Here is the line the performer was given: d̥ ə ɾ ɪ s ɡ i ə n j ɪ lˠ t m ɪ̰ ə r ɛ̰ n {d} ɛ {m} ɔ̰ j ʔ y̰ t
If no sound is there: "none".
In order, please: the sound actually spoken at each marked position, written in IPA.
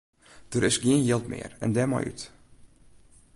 d, m

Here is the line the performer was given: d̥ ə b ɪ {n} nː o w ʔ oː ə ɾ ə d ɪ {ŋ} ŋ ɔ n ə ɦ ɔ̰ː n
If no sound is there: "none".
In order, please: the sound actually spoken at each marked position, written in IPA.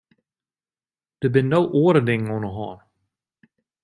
n, ŋ

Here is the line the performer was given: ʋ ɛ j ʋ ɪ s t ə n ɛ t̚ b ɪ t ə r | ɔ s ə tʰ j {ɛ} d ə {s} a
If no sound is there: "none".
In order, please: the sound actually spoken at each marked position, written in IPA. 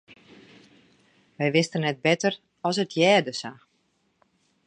ɛː, s

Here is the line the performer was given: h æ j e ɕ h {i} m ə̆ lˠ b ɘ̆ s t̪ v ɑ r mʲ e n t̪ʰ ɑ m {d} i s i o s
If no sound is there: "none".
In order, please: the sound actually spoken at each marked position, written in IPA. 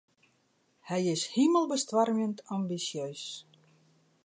i, b

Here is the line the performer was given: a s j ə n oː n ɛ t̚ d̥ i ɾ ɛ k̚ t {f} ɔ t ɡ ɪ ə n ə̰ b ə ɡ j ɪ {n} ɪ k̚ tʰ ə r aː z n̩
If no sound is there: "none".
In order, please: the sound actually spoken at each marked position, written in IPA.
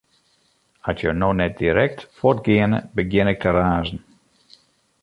f, n

